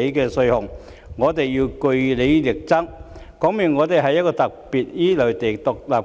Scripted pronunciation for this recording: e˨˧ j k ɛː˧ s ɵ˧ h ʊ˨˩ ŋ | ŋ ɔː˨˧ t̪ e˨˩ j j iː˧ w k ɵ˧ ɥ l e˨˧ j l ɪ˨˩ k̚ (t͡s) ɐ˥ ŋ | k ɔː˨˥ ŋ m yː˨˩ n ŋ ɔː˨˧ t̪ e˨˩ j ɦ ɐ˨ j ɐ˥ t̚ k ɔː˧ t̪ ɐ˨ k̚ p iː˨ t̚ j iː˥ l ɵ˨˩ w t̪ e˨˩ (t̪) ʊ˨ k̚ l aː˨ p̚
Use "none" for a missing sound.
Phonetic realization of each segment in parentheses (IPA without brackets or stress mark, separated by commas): t͡s, t̪